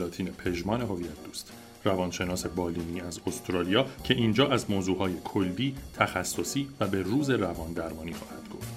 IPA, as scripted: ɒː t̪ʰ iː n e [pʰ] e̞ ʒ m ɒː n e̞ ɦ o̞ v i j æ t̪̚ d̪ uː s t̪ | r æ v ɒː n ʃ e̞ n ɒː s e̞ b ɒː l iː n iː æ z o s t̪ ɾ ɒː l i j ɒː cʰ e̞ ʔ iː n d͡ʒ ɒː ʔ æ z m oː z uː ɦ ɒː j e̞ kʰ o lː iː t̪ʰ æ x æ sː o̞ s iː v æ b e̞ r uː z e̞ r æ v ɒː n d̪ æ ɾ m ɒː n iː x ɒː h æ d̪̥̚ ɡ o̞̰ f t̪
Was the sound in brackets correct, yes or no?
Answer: yes